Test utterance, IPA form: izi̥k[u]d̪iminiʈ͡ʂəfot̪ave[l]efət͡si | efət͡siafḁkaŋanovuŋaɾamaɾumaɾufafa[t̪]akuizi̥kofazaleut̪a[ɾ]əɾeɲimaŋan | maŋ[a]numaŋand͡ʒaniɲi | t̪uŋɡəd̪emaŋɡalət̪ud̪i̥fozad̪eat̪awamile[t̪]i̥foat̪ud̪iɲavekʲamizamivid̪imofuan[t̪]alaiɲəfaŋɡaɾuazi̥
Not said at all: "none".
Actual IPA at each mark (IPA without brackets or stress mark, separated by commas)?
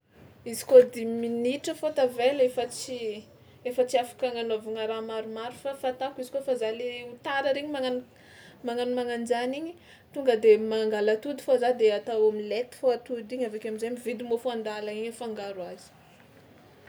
o, l, t̪, ɾ, a, t̪, d̪